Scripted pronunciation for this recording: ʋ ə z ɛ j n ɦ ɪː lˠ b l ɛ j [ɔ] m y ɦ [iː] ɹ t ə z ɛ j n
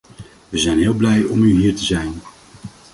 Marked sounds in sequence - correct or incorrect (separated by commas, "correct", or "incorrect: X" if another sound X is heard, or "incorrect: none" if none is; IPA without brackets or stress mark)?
correct, correct